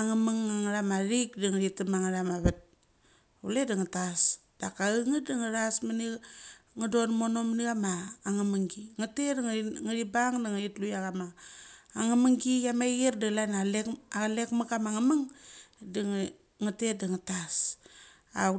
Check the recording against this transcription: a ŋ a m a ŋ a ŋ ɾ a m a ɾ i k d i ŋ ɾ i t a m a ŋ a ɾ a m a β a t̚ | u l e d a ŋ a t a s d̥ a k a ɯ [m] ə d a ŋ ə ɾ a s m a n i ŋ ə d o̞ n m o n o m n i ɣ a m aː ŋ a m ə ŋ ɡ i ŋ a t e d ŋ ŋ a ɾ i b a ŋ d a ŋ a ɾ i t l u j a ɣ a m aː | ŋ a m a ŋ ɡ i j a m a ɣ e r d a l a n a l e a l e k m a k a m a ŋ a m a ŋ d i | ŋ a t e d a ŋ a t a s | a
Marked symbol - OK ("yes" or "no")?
no